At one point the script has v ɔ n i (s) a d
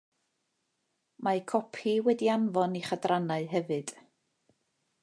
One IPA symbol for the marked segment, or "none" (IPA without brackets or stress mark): χ